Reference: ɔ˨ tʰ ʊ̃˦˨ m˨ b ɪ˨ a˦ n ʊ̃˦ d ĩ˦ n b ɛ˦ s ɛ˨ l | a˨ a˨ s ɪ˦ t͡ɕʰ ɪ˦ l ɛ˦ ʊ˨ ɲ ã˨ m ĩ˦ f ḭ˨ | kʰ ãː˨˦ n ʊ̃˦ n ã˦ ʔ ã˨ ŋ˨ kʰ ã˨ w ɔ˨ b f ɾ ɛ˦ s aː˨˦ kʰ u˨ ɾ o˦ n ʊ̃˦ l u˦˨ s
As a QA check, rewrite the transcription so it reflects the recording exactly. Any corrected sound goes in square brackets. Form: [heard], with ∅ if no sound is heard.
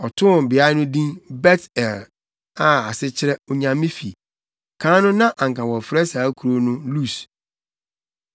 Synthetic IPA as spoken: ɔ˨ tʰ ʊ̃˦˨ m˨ b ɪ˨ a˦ n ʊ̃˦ d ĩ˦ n b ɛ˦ [t] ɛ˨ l | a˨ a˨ s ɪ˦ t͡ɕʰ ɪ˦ [ɾ] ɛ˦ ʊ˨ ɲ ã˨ m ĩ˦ f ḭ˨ | kʰ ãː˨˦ n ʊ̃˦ n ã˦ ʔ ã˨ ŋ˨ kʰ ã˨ w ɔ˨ [∅] f ɾ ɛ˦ s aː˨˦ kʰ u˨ ɾ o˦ n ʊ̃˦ l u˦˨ s